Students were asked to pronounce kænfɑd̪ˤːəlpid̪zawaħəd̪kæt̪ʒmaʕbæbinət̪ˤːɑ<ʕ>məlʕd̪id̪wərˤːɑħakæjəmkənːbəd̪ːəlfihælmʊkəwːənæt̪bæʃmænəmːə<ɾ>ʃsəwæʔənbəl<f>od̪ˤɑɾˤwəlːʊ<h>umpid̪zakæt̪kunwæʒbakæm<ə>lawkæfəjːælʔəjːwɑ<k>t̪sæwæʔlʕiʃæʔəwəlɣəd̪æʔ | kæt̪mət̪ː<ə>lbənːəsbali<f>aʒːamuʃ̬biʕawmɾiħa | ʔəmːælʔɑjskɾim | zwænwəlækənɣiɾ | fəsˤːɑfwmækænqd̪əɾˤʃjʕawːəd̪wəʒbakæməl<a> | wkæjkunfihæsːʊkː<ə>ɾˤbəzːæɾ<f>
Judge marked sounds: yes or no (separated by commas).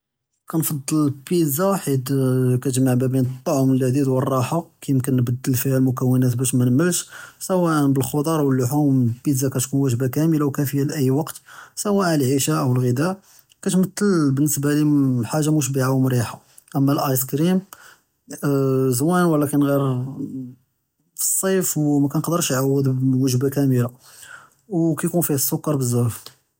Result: yes, no, no, no, yes, no, yes, no, yes, no, yes